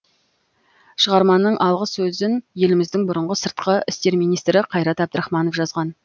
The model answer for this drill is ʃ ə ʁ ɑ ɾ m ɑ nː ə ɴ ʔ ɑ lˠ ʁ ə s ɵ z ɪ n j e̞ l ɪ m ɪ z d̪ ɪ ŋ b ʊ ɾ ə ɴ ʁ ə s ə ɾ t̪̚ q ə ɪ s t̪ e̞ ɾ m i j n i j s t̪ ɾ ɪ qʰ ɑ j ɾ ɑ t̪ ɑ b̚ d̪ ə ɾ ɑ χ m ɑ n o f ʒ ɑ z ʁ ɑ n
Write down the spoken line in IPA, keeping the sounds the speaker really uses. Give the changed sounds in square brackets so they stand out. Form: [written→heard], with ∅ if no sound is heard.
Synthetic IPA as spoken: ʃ ə ʁ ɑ ɾ m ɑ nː ə ɴ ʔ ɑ lˠ ʁ ə s ɵ z ɪ n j e̞ l ɪ m ɪ z d̪ ɪ ŋ b ʊ ɾ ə ɴ ʁ ə s ə ɾ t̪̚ q ə ɪ s t̪ e̞ ɾ m i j n i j s t̪ ɾ ɪ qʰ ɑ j ɾ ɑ t̪ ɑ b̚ d̪ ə ɾ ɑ χ m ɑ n o f ʒ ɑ z ʁ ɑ n